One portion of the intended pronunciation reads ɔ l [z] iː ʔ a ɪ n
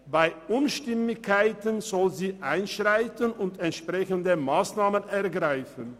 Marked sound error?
no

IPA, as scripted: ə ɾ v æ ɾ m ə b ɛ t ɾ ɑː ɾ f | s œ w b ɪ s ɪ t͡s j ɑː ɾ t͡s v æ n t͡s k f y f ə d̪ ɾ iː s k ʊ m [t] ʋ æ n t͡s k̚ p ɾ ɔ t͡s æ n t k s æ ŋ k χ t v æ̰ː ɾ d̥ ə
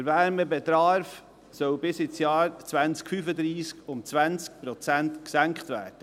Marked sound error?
yes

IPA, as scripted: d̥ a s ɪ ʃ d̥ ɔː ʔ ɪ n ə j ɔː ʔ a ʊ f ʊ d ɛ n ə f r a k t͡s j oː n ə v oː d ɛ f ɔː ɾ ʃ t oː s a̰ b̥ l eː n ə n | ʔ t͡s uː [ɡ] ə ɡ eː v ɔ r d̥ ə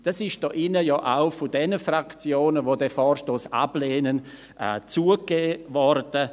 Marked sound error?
yes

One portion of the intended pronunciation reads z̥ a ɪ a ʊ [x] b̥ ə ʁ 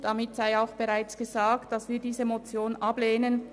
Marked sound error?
no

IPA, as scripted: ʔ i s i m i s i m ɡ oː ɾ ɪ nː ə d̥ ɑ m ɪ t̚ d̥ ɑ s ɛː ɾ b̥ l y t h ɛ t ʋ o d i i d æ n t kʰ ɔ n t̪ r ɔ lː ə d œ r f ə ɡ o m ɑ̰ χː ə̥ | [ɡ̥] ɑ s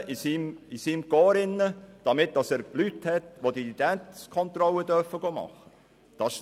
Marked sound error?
yes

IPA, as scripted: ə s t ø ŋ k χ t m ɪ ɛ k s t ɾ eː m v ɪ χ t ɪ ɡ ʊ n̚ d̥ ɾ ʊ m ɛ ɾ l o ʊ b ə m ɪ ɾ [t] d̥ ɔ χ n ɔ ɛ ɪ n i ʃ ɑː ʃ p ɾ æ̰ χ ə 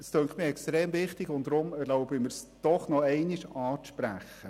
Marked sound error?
yes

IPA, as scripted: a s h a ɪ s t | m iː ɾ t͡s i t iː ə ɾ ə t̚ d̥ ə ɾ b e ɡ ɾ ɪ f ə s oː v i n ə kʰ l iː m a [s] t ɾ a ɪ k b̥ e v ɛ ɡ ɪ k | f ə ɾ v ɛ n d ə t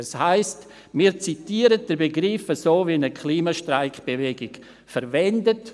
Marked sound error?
yes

